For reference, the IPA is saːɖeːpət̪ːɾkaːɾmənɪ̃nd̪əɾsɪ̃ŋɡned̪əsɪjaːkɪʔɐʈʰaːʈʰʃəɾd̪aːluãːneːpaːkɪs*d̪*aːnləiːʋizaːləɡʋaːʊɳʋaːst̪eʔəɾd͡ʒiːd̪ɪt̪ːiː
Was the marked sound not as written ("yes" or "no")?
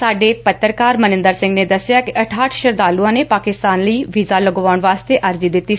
yes